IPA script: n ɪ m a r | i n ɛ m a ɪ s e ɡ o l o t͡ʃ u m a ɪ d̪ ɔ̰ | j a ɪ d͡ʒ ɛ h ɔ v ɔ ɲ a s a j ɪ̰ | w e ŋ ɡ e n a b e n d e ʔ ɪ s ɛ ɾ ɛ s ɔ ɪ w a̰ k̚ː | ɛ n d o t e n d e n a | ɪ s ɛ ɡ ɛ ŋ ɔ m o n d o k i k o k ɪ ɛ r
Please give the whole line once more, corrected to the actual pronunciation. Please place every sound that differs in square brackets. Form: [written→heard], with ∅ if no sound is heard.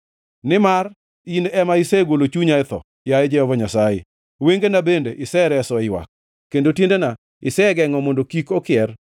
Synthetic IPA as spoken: n ɪ m a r | i n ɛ m a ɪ s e ɡ o l o t͡ʃ u [m→ɲ] a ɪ [d̪→t̪] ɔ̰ | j a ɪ d͡ʒ ɛ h ɔ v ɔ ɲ a s a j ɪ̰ | w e ŋ ɡ e n a b e n d e ʔ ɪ s ɛ ɾ ɛ s ɔ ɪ w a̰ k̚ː | [ɛ→e] n d o t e n d e n a | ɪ s ɛ ɡ ɛ ŋ ɔ m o n d o k i k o k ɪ ɛ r